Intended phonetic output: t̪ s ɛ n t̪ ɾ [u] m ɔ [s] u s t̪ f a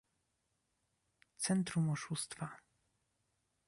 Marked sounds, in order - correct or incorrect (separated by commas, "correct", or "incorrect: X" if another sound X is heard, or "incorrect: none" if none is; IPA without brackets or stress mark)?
correct, incorrect: ʂ